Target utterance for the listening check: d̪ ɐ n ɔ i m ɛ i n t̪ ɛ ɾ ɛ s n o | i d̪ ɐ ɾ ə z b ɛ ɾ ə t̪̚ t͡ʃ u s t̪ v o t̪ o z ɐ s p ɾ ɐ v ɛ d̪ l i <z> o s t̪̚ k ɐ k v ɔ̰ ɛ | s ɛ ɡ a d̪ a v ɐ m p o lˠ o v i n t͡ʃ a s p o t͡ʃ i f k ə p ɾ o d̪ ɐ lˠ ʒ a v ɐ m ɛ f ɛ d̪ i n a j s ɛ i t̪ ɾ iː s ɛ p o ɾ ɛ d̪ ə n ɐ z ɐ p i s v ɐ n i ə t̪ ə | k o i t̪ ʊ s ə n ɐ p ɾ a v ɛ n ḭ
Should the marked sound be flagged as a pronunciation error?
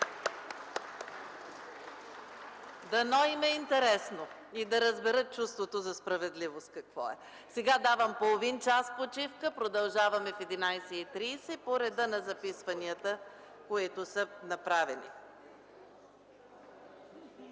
yes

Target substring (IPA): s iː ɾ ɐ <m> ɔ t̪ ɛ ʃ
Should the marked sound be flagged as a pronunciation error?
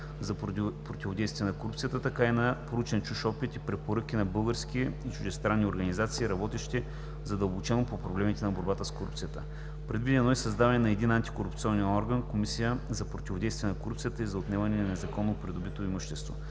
yes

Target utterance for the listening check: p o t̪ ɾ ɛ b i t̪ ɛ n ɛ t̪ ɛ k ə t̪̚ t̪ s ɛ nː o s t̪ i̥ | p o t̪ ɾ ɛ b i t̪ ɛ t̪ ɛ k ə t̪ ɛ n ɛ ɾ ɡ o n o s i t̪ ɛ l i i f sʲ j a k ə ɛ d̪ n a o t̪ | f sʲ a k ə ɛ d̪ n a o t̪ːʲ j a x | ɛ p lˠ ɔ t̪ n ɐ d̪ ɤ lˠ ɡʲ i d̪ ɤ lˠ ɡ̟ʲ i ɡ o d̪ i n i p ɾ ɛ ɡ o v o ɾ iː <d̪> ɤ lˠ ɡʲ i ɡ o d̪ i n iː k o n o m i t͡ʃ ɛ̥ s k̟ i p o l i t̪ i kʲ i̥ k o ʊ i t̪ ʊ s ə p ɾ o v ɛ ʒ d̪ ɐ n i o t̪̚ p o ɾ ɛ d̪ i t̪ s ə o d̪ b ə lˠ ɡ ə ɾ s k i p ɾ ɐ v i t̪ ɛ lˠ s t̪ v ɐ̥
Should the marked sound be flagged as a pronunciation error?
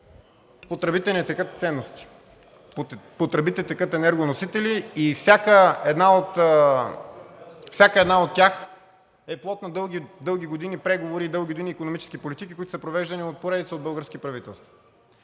no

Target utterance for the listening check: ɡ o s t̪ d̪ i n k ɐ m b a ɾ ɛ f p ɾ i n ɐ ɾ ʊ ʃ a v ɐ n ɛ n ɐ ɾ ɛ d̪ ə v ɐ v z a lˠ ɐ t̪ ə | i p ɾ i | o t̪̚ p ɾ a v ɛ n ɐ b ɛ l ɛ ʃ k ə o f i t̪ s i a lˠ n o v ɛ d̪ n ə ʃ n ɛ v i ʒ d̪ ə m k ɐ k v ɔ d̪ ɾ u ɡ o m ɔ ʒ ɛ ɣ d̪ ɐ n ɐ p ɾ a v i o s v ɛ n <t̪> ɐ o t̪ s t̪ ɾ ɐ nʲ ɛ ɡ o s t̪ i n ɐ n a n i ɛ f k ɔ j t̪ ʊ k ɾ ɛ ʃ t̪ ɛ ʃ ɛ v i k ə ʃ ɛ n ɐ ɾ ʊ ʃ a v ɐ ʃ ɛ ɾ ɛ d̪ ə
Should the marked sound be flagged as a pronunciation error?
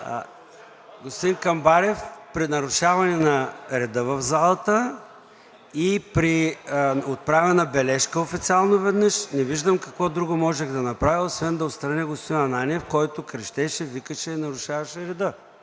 yes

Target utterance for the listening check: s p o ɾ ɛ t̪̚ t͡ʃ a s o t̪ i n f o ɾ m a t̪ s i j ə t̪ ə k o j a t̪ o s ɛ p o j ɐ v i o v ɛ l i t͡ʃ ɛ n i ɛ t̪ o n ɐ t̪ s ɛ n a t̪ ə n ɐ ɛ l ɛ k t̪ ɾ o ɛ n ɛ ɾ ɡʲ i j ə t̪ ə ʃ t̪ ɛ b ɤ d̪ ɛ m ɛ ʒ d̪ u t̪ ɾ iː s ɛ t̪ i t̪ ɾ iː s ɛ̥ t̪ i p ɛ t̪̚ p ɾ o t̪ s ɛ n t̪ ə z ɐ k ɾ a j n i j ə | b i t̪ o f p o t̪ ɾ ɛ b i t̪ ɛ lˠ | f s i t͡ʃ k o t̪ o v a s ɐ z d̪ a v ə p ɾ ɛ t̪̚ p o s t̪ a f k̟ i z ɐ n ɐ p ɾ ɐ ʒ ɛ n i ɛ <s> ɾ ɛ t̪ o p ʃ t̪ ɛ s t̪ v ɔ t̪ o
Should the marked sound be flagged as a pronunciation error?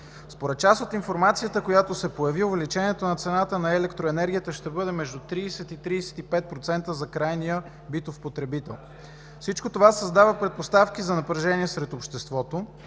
no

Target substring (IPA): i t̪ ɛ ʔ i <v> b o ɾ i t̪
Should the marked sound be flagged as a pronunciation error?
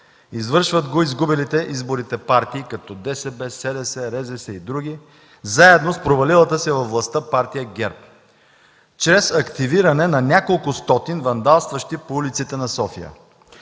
yes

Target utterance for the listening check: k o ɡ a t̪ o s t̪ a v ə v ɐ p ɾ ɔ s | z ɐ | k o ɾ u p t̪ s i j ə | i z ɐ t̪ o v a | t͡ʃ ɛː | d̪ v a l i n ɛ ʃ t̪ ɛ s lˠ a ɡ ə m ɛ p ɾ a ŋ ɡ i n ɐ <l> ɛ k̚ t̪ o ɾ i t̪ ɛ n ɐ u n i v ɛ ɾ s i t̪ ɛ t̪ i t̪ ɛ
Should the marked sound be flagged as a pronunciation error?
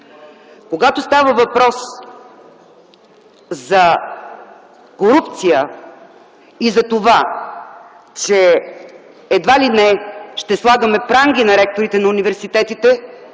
yes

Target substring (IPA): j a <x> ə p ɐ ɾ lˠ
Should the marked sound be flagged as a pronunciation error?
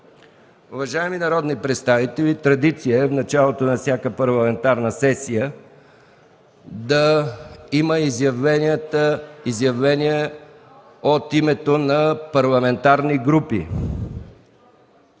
yes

